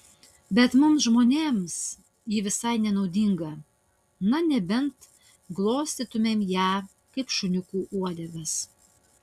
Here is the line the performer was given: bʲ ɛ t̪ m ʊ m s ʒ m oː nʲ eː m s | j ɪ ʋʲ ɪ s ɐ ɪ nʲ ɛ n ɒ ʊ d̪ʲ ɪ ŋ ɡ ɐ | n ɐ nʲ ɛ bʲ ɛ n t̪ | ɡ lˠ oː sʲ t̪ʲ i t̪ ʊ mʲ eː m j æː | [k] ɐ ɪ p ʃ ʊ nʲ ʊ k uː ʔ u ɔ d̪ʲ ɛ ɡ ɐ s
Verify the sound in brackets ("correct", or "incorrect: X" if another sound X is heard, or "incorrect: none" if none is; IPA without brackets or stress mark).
correct